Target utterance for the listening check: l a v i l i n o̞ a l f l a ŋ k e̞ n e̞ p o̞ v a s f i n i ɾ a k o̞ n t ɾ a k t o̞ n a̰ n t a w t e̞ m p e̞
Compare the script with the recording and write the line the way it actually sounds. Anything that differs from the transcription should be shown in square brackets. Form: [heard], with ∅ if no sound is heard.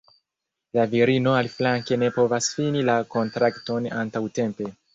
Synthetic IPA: l a v i [ɾ] i n o̞ a l f l a ŋ k e̞ n e̞ p o̞ v a s f i n i [l] a k o̞ n t ɾ a k t o̞ n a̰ n t a w t e̞ m p e̞